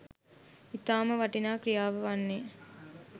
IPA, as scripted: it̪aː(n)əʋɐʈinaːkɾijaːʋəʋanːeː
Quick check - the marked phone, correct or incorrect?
incorrect: m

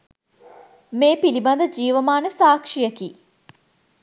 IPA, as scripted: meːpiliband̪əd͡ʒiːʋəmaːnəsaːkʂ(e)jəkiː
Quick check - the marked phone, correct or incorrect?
incorrect: i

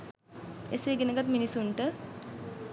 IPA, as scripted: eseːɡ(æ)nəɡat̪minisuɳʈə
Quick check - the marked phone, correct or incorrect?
incorrect: e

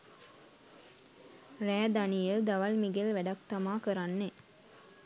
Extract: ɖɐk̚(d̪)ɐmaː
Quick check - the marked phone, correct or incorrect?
incorrect: t̪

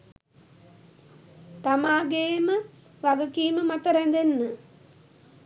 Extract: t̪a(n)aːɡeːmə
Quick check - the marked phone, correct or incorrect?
incorrect: m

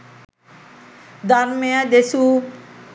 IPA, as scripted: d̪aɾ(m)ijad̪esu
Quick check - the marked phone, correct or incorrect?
correct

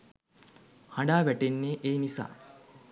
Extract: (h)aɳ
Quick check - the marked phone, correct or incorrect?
correct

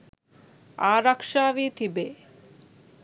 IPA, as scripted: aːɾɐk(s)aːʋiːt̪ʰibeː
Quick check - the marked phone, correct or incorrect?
incorrect: ʂ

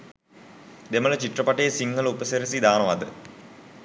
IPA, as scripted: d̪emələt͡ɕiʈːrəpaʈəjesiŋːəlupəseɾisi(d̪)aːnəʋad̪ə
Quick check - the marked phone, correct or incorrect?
correct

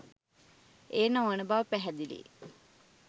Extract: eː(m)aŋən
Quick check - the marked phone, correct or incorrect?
incorrect: n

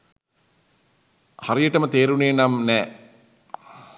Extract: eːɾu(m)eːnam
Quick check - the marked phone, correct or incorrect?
incorrect: n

